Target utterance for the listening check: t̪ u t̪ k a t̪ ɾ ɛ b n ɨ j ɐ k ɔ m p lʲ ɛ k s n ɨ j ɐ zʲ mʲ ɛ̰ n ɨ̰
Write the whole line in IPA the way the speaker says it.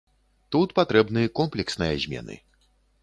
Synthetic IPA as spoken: t̪ u t̪ p a t̪ ɾ ɛ b n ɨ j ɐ k ɔ m p lʲ ɛ k s n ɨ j ɐ zʲ mʲ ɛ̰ n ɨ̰